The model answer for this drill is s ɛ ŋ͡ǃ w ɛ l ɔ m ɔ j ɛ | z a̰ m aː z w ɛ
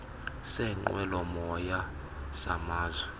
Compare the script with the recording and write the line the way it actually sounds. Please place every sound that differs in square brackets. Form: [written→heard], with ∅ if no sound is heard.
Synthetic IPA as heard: s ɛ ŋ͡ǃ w ɛ l ɔ m ɔ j [ɛ→a] | [z→s] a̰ m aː z w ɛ